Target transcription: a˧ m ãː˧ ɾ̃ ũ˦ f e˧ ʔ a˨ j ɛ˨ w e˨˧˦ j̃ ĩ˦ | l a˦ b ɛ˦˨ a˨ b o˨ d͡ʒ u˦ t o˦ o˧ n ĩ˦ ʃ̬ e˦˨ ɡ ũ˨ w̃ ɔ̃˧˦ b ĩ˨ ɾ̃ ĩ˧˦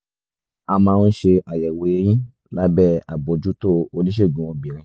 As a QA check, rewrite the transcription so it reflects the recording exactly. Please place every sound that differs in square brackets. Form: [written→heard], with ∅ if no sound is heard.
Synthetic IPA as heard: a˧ m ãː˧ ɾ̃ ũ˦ [f→ʃ] e˧ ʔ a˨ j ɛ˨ w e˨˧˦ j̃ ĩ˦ | l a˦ b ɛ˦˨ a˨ b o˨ d͡ʒ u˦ t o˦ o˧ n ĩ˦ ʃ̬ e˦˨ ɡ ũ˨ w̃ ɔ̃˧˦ b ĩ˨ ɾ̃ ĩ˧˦